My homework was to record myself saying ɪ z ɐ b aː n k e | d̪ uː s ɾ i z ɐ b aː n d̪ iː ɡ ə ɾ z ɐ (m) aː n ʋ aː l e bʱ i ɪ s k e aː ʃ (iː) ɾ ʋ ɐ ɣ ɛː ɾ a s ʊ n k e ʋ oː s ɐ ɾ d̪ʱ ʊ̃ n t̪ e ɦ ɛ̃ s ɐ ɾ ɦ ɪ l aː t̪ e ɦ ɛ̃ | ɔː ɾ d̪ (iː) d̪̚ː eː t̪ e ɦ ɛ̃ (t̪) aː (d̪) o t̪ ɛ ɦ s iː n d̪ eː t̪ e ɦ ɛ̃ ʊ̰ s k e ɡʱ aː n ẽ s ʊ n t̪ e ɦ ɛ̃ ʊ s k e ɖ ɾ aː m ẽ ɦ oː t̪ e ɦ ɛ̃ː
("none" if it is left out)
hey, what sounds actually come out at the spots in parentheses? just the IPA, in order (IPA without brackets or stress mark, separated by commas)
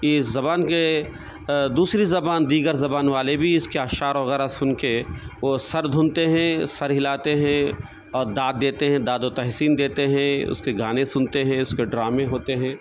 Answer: b, aː, aː, d̪, d̪